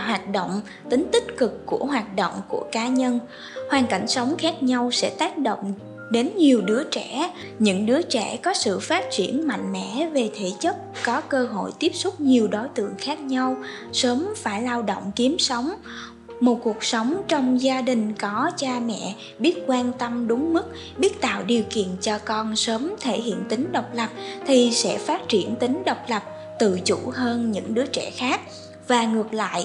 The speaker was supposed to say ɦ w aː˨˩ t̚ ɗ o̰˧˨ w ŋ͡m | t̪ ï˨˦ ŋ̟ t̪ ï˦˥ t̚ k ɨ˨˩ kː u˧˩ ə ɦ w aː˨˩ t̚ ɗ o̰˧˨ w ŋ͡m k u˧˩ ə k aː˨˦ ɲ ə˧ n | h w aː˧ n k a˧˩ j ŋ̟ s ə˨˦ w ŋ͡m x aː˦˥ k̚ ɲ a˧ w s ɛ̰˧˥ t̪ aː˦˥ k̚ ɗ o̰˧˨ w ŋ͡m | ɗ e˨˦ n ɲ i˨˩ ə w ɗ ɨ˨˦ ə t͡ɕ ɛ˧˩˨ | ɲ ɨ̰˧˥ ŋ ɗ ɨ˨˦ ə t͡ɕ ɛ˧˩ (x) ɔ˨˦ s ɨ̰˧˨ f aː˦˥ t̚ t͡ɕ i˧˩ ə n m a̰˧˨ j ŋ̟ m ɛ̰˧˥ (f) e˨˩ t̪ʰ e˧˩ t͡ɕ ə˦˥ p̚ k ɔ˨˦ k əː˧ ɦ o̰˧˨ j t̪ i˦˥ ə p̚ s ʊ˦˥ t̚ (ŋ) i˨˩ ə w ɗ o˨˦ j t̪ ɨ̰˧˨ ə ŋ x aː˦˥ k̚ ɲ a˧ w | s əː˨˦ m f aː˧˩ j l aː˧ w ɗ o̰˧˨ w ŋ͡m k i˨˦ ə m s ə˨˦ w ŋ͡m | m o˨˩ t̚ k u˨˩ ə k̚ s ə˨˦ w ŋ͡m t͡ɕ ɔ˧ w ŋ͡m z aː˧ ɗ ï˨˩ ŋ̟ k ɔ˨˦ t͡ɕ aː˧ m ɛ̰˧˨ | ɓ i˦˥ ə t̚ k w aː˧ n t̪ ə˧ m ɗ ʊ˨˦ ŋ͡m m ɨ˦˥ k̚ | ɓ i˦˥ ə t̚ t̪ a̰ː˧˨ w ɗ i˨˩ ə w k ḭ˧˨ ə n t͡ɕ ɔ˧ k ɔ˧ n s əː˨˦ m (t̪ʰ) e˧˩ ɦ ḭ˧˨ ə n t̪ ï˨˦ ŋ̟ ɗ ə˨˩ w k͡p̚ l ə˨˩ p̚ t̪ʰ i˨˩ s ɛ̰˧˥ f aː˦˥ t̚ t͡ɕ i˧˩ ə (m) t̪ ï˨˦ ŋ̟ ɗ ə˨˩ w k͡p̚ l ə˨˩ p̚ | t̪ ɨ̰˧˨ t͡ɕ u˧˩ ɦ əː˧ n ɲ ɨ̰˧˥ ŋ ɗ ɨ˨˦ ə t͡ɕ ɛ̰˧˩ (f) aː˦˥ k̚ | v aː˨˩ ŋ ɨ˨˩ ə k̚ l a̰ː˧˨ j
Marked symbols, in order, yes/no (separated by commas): no, no, no, yes, no, no